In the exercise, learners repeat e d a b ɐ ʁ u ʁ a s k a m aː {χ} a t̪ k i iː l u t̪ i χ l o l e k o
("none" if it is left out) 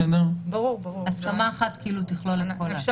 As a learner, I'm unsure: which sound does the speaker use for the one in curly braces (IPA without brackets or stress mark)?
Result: χ